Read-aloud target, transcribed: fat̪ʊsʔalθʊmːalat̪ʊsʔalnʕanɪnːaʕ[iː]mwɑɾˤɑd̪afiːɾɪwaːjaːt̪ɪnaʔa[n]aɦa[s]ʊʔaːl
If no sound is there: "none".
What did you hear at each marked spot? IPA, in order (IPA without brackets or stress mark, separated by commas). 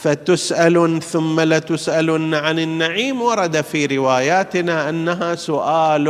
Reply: iː, nː, s